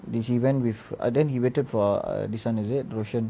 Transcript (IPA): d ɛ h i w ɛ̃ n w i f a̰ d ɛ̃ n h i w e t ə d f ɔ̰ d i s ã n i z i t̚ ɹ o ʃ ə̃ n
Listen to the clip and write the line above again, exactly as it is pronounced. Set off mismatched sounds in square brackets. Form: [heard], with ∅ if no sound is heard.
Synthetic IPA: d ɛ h i w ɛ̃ n w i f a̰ d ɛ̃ n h i w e t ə d f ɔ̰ d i s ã n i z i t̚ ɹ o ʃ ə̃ n